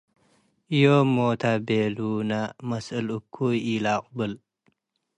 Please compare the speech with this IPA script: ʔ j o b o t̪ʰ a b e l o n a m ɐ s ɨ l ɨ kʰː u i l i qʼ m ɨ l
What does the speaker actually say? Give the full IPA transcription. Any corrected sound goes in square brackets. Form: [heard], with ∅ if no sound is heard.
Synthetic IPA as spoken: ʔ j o [m] o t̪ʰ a b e l [u] n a m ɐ s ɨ l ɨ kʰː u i l [a] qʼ [b] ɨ l